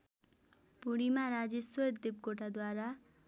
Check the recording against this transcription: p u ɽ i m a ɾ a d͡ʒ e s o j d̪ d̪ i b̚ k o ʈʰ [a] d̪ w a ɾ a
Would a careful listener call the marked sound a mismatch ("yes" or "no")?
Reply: no